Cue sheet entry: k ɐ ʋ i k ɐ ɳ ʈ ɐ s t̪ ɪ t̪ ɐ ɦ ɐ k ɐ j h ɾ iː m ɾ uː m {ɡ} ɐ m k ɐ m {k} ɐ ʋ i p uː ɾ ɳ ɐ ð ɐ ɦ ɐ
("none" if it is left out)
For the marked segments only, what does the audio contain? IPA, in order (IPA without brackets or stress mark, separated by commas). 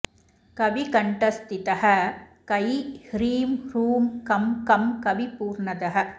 k, k